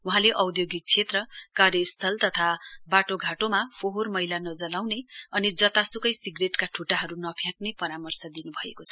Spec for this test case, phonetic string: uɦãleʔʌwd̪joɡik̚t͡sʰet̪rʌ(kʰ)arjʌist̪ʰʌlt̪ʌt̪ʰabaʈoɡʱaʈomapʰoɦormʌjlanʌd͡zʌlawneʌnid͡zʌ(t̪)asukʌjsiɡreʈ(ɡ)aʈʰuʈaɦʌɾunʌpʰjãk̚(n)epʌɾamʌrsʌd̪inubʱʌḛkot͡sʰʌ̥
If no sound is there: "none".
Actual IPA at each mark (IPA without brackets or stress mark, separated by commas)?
k, t̪, k, n